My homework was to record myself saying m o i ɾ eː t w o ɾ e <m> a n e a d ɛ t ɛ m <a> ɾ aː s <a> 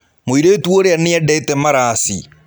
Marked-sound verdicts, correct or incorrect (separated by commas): incorrect, correct, incorrect